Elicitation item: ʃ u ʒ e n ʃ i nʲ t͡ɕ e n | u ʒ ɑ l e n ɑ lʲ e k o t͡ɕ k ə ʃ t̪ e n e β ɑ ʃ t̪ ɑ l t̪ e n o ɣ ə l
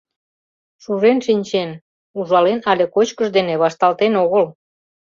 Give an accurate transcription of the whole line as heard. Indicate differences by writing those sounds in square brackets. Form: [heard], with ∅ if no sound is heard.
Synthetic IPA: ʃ u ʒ e n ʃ i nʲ t͡ɕ e n | u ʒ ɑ l e n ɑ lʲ e k o t͡ɕ k ə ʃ [d̪] e n e β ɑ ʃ t̪ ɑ l t̪ e n o ɣ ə l